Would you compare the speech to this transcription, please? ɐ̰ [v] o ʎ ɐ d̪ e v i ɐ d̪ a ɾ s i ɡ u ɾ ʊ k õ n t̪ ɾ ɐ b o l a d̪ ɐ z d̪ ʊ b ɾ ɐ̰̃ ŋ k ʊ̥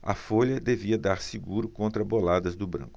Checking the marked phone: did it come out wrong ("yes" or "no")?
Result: yes